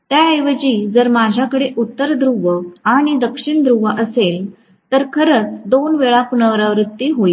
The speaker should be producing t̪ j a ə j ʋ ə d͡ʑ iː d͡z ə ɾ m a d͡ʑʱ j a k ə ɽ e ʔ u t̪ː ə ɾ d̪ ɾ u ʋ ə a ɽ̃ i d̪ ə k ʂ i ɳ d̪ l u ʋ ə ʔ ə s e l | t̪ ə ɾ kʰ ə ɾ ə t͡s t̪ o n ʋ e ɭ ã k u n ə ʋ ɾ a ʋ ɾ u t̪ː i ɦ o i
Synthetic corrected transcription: t̪ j a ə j ʋ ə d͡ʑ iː d͡z ə ɾ m a d͡ʑʱ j a k ə ɽ e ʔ u t̪ː ə ɾ d̪ ɾ u ʋ ə a ɽ̃ i d̪ ə k ʂ i ɳ d̪ ɾ u ʋ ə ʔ ə s e l | t̪ ə ɾ kʰ ə ɾ ə t͡s d̪ o n ʋ e ɭ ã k u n ə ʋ ɾ a ʋ ɾ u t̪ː i ɦ o i